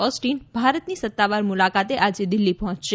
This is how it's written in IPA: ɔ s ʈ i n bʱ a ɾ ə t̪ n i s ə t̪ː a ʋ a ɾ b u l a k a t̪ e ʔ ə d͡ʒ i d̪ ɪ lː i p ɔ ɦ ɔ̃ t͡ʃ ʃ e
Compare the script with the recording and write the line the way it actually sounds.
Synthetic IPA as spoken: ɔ s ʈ i n bʱ a ɾ ə t̪ n i s ə t̪ː a ʋ a ɾ m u l a k a t̪ e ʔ a d͡ʒ e d̪ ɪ lː i p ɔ ɦ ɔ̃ t͡ʃ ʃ e